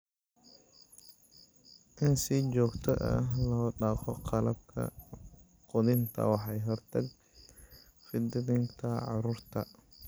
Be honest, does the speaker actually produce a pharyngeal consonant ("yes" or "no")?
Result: yes